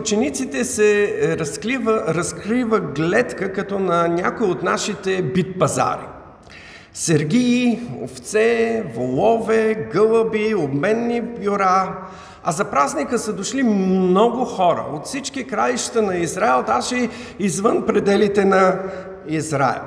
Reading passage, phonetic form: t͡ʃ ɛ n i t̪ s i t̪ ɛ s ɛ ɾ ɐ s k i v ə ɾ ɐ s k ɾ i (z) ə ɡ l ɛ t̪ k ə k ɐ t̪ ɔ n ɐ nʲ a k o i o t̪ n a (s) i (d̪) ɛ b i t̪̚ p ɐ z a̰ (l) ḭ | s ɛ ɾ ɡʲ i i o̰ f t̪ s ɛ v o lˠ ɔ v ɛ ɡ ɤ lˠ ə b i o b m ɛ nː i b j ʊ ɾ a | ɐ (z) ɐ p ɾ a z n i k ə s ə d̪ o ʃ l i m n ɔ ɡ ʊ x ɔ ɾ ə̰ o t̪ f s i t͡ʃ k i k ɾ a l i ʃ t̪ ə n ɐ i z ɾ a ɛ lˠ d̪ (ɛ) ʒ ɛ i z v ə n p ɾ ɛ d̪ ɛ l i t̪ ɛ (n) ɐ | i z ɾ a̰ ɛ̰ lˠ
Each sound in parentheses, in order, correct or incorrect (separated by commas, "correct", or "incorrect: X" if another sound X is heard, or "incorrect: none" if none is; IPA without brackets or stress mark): incorrect: v, incorrect: ʃ, incorrect: t̪, incorrect: ɾ, correct, incorrect: a, correct